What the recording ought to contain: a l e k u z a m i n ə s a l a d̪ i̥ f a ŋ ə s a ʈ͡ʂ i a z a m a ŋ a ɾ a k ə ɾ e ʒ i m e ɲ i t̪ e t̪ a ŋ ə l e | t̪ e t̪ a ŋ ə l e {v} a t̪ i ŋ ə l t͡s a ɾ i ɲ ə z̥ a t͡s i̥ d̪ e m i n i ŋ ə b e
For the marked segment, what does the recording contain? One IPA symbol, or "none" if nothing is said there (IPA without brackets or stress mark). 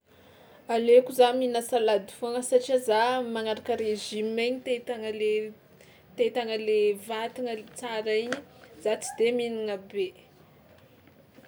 v